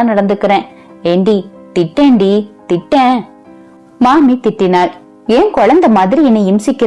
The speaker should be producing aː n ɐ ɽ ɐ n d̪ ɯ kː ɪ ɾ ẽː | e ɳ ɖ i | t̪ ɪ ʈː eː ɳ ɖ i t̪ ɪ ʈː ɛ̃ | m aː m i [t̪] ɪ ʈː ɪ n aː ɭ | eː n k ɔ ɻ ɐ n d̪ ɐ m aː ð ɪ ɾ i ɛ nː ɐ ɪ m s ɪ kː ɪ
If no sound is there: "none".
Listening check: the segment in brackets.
t̪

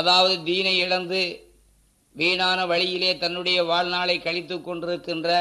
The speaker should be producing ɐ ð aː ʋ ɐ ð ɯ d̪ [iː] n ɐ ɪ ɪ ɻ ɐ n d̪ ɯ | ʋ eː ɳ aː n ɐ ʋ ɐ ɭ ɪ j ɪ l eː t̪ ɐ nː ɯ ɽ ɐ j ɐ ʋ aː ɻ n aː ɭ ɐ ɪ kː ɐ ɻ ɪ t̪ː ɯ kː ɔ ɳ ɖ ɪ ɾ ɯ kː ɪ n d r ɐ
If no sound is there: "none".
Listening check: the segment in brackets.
iː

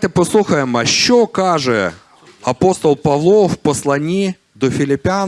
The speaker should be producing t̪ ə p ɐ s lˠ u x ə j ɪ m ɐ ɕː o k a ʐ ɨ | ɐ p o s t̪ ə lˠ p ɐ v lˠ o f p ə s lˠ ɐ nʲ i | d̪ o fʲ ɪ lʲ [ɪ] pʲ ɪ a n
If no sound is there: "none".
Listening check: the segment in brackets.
ɪ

